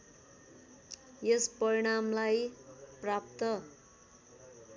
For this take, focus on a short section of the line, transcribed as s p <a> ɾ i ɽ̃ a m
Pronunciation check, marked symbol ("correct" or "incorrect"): incorrect